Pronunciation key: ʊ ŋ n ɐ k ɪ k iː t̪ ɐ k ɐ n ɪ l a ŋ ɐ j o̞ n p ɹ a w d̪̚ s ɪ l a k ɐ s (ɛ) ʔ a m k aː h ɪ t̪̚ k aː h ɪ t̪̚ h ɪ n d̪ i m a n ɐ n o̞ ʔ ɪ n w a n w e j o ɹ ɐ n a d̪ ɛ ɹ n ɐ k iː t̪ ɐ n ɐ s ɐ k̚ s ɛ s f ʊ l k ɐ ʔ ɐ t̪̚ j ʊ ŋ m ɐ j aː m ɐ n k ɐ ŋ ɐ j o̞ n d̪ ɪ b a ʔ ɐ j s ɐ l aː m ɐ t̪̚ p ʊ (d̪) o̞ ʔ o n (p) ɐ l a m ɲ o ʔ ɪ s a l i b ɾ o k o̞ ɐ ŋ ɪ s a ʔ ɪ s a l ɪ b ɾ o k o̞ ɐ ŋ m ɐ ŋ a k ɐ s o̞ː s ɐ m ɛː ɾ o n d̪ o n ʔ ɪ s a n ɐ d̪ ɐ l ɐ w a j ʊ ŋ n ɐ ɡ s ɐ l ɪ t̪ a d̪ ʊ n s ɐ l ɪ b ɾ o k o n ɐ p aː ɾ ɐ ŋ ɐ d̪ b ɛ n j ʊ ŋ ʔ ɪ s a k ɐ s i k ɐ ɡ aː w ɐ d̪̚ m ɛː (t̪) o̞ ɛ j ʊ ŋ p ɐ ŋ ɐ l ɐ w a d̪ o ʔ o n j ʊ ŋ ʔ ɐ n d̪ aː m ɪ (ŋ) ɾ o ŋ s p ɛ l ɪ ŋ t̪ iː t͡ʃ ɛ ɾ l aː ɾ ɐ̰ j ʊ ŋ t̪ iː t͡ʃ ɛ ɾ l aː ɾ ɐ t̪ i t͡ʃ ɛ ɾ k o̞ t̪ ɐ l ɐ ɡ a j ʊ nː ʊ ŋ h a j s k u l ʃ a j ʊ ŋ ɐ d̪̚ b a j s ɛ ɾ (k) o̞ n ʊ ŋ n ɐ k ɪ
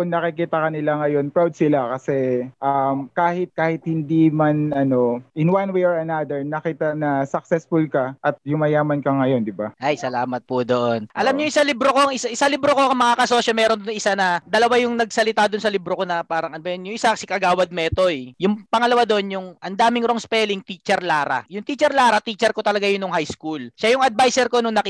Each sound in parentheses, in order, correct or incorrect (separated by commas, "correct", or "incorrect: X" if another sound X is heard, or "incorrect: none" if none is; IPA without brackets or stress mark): correct, correct, incorrect: ʔ, correct, correct, correct